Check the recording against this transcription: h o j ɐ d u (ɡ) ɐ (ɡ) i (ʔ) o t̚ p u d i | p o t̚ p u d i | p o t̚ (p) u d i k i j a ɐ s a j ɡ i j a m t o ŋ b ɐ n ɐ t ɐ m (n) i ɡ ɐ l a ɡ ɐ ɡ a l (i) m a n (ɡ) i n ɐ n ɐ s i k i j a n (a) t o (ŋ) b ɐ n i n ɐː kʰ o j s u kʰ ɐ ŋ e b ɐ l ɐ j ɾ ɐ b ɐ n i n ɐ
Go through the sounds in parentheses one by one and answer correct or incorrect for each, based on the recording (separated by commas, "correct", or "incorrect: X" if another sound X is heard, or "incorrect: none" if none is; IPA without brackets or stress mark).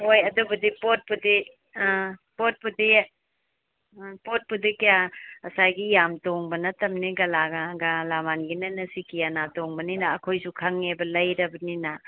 incorrect: b, incorrect: d, incorrect: p, correct, correct, incorrect: a, correct, correct, correct